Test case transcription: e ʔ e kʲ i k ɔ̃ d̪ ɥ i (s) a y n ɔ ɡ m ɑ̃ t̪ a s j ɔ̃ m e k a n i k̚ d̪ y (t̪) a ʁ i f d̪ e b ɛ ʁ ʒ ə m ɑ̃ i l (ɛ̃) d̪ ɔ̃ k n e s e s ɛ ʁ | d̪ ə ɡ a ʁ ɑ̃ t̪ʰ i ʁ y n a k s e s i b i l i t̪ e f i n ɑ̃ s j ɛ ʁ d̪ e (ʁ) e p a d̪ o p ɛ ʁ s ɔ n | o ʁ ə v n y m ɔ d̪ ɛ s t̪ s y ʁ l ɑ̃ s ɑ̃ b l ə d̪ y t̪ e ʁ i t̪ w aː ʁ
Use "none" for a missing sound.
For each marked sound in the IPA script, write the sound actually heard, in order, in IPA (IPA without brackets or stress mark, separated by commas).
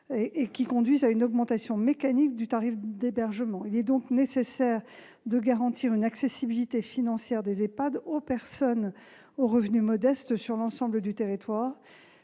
z, t̪, ɛ, z